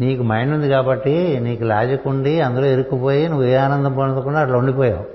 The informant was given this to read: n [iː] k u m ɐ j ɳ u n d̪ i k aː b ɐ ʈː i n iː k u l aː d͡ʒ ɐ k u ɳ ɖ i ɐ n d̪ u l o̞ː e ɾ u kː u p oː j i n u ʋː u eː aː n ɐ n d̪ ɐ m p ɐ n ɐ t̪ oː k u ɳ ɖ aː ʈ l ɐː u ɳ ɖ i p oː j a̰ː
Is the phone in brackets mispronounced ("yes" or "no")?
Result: no